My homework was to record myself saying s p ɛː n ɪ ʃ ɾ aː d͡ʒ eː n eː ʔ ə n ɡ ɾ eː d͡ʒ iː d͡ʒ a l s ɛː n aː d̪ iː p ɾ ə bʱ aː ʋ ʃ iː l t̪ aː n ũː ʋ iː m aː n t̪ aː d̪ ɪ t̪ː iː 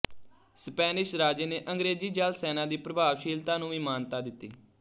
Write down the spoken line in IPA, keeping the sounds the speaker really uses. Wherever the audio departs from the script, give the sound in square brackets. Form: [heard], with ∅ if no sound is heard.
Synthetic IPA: s p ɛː n ɪ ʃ ɾ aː d͡ʒ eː n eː ʔ ə [ŋ] ɡ ɾ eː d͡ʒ iː d͡ʒ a l s ɛː n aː d̪ iː p ɾ ə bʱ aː ʋ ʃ iː l t̪ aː n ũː ʋ iː m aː n t̪ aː d̪ ɪ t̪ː iː